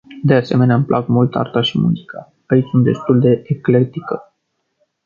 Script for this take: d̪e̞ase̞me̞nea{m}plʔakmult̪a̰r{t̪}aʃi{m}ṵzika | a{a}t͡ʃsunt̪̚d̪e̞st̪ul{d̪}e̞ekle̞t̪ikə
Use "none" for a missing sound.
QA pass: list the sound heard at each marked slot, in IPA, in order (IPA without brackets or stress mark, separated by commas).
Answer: m, t̪, m, i, d̪